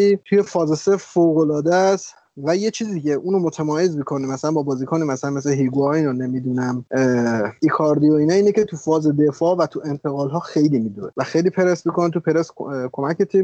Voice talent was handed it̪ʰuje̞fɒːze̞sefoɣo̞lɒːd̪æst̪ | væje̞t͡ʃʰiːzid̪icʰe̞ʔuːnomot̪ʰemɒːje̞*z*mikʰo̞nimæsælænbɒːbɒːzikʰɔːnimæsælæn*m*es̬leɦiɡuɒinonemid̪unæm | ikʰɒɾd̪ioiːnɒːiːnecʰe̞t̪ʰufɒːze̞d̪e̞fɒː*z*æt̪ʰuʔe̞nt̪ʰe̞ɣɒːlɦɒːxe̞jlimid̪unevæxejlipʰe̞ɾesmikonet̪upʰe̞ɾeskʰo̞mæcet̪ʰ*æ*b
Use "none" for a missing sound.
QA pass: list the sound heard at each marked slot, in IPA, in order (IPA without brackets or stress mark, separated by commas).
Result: z, m, v, i